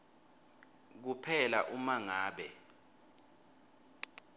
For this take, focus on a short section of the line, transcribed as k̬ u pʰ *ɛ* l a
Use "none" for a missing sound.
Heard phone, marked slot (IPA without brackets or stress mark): ɛ